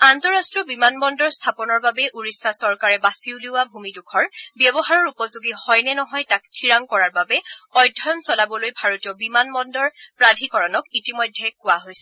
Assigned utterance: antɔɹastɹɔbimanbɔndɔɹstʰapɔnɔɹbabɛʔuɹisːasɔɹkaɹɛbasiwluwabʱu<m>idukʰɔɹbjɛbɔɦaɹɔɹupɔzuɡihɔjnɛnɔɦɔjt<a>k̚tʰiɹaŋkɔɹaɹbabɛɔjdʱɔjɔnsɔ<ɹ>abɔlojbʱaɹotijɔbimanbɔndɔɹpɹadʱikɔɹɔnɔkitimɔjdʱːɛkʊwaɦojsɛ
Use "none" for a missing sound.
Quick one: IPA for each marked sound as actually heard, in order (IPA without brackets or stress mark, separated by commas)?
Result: m, a, l